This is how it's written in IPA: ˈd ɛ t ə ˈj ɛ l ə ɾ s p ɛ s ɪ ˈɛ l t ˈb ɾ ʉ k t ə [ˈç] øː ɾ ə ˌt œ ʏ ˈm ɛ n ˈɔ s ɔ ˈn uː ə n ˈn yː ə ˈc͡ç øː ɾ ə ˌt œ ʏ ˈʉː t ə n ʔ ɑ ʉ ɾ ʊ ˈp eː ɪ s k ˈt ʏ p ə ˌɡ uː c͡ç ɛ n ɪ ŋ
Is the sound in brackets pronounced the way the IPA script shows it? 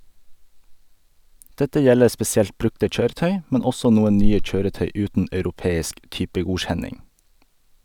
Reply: no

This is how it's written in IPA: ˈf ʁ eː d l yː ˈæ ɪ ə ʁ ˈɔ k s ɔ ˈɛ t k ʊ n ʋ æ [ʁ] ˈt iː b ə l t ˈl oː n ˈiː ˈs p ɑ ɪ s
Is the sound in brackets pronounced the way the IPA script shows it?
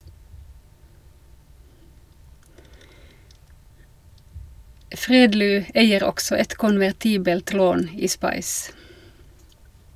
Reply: yes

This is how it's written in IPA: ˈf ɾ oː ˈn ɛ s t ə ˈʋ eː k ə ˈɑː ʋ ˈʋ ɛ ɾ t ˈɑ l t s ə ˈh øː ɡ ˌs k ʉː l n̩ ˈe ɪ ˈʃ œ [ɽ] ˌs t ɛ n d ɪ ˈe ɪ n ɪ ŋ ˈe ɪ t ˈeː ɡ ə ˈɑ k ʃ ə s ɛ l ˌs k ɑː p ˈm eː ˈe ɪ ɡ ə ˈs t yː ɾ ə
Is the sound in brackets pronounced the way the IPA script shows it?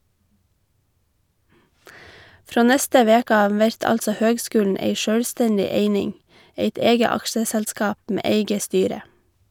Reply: yes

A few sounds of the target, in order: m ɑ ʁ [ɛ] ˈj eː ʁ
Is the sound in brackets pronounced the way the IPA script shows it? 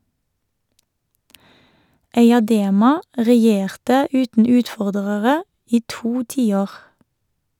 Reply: yes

